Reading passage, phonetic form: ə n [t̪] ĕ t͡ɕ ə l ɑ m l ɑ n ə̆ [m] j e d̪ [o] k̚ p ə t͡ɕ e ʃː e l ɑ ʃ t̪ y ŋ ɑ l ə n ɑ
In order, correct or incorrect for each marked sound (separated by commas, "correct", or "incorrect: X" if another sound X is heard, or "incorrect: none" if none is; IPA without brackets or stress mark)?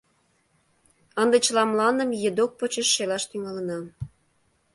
incorrect: d̪, correct, correct